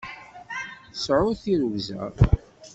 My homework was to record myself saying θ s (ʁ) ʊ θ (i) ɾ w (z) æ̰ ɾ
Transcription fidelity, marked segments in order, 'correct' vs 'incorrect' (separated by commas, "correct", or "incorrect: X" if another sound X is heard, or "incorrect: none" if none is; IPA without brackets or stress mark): incorrect: ʕ, correct, correct